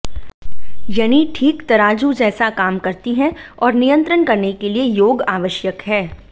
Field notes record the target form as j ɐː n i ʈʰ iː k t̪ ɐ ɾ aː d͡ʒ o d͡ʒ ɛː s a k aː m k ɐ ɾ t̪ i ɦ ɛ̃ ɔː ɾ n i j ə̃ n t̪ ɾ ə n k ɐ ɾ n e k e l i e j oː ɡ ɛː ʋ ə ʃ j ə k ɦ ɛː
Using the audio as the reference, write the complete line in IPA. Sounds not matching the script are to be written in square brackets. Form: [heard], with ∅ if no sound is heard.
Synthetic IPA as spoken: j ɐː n i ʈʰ iː k t̪ ɐ ɾ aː d͡ʒ [u] d͡ʒ ɛː s a k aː m k ɐ ɾ t̪ i ɦ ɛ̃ ɔː ɾ n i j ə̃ n t̪ ɾ ə n k ɐ ɾ n e k e l i e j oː ɡ [aː] ʋ ə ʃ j ə k ɦ ɛː